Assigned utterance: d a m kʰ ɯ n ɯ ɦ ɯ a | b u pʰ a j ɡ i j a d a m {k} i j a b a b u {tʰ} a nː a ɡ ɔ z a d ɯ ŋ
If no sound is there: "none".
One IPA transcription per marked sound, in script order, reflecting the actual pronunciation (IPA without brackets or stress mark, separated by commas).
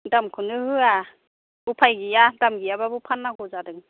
ɡ, pʰ